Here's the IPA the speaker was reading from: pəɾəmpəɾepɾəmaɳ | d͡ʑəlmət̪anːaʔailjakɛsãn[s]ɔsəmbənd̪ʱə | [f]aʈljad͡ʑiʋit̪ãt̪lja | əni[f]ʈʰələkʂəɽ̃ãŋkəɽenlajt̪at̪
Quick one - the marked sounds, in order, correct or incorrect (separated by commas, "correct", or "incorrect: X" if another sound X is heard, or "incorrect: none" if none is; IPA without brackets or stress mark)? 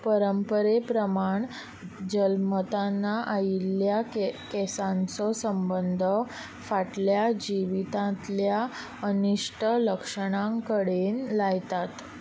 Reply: incorrect: t͡s, correct, incorrect: ʂ